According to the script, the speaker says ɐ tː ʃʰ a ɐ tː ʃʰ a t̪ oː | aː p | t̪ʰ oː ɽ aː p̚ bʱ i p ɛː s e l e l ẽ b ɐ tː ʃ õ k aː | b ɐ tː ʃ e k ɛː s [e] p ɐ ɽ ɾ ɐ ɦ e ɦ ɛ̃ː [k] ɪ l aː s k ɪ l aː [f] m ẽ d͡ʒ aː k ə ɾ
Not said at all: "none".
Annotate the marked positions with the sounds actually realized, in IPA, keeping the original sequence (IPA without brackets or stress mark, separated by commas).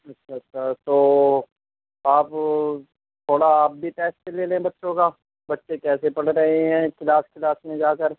e, k, s